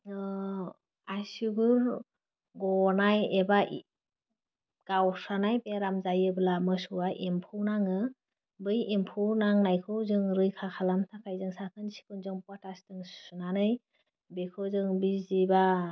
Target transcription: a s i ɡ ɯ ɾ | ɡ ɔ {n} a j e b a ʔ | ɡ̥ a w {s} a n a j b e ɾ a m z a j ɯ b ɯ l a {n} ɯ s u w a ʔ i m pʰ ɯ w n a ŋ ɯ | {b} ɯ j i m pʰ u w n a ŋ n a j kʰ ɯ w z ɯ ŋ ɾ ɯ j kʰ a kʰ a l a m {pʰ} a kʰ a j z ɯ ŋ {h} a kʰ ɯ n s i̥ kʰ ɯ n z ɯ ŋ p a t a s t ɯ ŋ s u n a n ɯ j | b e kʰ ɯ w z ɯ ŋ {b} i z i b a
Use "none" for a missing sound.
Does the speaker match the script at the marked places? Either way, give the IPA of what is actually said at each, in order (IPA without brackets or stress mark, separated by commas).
n, s, m, b, tʰ, s, b